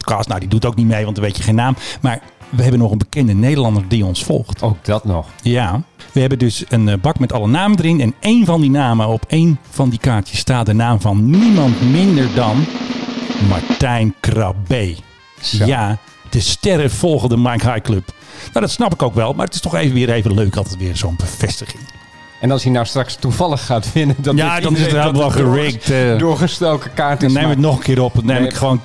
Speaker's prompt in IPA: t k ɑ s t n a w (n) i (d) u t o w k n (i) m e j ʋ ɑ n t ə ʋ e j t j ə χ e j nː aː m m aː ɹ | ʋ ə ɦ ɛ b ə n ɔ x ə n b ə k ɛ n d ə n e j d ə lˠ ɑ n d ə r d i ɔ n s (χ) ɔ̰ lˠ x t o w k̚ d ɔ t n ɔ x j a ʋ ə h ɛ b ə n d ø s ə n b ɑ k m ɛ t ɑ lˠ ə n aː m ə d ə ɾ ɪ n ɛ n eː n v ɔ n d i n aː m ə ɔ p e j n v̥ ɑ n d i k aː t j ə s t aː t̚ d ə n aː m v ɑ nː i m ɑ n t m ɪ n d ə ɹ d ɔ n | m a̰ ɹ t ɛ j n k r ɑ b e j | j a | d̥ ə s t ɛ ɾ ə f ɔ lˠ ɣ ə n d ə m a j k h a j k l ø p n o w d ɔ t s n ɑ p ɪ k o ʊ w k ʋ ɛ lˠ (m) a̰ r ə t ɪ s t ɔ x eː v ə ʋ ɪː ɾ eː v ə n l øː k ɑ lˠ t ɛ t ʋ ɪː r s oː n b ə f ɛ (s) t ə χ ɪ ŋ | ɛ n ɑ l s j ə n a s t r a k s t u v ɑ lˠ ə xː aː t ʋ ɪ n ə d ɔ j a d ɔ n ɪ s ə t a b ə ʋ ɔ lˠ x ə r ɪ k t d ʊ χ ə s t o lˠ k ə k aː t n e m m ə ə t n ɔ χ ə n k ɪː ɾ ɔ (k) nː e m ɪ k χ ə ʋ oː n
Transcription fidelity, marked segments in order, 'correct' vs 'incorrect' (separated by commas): incorrect, correct, correct, incorrect, correct, correct, incorrect